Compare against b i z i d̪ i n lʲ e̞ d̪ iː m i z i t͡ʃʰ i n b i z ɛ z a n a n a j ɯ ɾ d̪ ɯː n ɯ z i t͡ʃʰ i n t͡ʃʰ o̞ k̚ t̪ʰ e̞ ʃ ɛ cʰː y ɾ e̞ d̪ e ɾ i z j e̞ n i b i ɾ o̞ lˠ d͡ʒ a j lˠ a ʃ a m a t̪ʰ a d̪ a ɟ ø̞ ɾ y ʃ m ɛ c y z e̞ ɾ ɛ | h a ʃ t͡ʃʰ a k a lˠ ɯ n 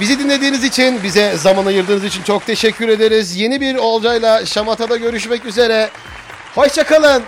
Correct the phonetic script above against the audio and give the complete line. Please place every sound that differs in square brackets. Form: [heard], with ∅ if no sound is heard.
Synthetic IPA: b i z i d̪ i n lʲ e̞ d̪ iː [n] i z i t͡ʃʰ i n b i z ɛ z a [m] a n a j ɯ ɾ d̪ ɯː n ɯ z i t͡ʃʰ i n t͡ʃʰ o̞ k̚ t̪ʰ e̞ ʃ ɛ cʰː y ɾ e̞ d̪ e ɾ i z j e̞ n i b i ɾ o̞ lˠ d͡ʒ a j lˠ a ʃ a m a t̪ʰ a d̪ a ɟ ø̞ ɾ y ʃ m ɛ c y z e̞ ɾ ɛ | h a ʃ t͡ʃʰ a k a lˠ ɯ n